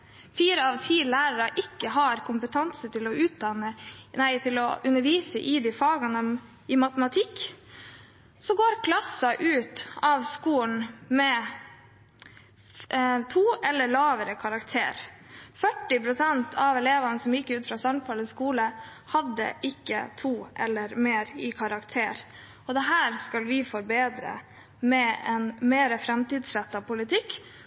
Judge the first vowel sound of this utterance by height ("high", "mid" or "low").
high